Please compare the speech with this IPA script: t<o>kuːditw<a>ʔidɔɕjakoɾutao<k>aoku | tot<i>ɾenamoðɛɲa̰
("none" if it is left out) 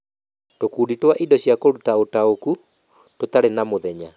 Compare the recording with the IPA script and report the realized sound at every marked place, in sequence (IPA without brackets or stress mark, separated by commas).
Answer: o, a, t, a